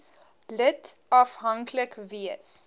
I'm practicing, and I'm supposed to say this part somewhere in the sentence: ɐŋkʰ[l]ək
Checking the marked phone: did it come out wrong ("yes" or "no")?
no